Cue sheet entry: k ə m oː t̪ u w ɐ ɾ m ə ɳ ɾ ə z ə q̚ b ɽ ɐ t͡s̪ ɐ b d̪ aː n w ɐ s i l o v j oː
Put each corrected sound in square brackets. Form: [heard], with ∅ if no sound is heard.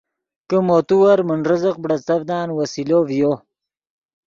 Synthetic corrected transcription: k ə m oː t̪ u w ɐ ɾ m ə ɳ ɾ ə z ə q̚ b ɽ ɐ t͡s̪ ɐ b d̪ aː n w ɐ s i l o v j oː